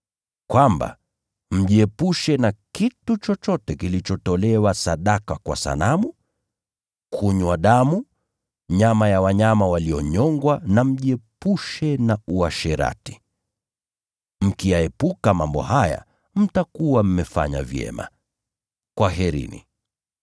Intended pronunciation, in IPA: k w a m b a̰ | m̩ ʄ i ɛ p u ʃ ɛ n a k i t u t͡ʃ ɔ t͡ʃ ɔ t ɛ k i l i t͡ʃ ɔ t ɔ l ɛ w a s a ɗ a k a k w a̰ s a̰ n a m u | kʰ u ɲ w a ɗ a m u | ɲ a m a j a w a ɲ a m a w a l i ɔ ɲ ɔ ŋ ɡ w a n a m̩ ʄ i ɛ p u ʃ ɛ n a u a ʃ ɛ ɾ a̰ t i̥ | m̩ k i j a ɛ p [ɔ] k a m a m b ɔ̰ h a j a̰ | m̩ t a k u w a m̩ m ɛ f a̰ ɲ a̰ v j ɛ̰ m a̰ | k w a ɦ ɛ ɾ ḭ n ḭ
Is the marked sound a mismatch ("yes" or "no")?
yes